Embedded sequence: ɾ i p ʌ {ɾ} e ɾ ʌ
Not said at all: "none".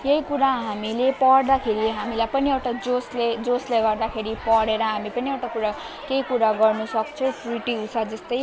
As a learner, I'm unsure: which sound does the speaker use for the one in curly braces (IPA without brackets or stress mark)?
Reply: ɽ